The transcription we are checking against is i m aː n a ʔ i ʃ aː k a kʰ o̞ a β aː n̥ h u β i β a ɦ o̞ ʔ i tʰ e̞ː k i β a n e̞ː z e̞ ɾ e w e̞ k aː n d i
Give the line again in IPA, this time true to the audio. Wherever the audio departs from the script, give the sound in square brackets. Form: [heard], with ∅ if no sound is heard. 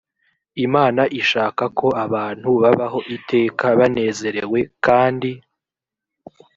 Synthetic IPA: i m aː n a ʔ i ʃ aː k a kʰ o̞ a β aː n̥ h u β [a] β a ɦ o̞ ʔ i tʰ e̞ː k [a] β a n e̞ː z e̞ ɾ e w e̞ k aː n d i